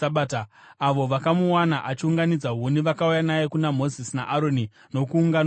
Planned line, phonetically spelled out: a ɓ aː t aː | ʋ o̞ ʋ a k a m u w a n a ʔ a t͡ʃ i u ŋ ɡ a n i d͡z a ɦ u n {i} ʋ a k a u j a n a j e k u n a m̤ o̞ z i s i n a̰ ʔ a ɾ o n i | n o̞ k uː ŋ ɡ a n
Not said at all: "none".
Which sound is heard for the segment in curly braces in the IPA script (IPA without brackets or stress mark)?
i